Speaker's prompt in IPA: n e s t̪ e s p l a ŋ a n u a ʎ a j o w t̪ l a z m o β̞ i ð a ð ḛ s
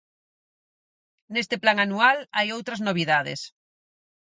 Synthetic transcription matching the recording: n e s t̪ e p l a ŋ a n u a l a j o w t̪ ɾ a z n o β̞ i ð a ð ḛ s